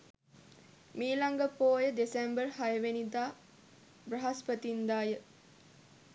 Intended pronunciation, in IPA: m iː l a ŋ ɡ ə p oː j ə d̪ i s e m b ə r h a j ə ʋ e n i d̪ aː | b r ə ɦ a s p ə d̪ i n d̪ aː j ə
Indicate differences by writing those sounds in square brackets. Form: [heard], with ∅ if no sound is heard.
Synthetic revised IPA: m iː l a ŋ ɡ ə p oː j ə d̪ [e] s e m b ə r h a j ə ʋ e n i d̪ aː | b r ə ɦ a s p ə [t̪] i n d̪ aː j ə